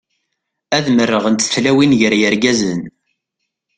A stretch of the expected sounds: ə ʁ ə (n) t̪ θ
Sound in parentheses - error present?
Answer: no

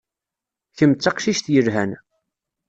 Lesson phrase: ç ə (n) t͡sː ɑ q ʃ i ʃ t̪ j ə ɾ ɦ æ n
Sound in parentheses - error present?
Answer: yes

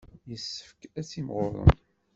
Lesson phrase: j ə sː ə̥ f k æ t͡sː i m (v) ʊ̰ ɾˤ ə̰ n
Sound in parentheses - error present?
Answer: yes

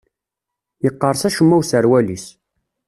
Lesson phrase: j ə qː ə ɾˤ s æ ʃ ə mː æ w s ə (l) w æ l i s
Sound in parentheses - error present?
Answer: yes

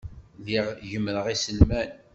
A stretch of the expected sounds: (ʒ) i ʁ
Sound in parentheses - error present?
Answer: yes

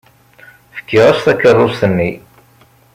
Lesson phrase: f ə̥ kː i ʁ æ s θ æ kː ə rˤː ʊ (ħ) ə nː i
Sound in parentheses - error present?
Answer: yes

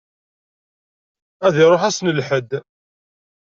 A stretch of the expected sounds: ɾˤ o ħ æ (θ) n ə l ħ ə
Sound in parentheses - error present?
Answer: yes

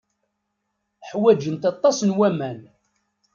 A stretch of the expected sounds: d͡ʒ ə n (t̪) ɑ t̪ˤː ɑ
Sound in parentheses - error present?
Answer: no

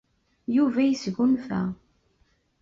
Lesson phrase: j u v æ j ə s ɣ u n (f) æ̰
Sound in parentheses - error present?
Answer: no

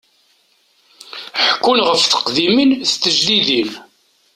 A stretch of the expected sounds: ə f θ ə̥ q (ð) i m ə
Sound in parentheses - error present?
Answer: no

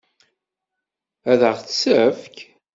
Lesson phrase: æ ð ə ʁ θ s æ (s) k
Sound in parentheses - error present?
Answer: yes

